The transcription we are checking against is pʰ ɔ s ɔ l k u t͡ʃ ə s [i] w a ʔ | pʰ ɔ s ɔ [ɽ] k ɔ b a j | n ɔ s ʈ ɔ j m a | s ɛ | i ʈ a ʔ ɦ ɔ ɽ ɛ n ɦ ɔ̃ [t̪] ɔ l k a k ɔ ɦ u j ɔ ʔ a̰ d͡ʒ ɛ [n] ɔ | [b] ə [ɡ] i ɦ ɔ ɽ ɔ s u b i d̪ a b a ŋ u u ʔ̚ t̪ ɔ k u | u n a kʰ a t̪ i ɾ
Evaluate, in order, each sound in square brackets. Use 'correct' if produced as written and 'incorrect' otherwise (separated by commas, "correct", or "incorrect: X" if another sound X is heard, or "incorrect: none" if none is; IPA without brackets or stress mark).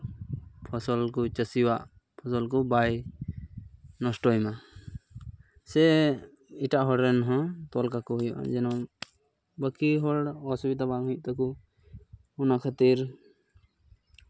correct, incorrect: l, correct, correct, correct, incorrect: k